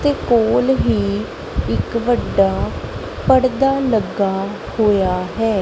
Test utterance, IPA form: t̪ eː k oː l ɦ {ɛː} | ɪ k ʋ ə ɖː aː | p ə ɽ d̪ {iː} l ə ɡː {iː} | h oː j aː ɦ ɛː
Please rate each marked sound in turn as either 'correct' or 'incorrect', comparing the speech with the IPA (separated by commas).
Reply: incorrect, incorrect, incorrect